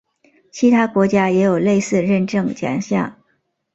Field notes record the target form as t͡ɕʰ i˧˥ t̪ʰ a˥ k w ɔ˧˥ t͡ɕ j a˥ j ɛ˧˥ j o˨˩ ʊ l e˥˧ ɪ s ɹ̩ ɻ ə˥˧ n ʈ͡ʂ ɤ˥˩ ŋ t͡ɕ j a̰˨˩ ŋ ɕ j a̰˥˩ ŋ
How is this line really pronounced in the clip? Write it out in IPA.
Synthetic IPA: t͡ɕʰ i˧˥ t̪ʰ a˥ k w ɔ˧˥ t͡ɕ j a˥ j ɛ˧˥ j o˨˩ ʊ l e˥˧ ɪ s ɹ̩ ɻ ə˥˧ n ʈ͡ʂ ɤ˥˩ ŋ t͡ɕ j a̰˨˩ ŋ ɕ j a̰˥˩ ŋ